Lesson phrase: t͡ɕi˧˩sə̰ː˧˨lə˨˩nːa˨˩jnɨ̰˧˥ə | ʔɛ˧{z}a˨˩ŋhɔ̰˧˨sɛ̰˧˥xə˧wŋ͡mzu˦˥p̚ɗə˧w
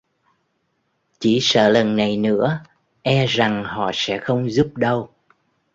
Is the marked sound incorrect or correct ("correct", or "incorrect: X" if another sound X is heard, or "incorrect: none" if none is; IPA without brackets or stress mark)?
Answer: correct